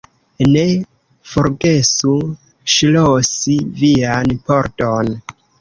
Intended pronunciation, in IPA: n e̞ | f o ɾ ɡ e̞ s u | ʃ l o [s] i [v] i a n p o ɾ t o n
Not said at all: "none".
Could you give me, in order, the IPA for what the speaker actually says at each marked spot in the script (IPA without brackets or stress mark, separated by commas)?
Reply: s, v